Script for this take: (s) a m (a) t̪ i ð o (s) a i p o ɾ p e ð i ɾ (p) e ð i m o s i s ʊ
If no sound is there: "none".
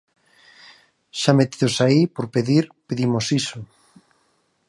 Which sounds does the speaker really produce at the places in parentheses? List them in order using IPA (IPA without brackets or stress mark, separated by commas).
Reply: ʃ, e, s, p